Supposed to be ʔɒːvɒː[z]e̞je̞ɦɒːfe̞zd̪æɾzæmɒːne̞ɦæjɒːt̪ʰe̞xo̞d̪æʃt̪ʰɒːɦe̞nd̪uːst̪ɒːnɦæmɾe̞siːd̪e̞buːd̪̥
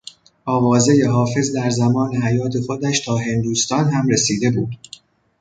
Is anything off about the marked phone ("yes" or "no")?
no